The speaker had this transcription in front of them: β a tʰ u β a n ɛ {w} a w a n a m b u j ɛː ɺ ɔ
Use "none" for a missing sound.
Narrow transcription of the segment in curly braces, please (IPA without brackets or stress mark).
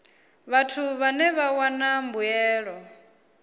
β